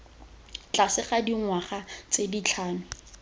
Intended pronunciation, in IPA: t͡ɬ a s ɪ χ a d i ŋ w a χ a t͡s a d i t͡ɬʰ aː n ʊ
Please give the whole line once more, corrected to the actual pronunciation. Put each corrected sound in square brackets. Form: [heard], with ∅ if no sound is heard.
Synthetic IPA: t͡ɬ a s ɪ χ a d i ŋ w a χ a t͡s [e] d i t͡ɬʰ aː n ʊ